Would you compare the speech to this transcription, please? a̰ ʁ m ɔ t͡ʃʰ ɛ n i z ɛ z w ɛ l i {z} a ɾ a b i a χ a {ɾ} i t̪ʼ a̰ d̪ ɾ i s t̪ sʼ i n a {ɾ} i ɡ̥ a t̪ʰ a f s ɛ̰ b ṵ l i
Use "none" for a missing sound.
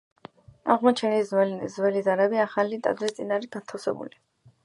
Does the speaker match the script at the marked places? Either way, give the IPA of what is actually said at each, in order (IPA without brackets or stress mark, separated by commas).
z, l, ɾ